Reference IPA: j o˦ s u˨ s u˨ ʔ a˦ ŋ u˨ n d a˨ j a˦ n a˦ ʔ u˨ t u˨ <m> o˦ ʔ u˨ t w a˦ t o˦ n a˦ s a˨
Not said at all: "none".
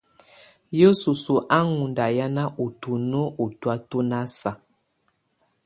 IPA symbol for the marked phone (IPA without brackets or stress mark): n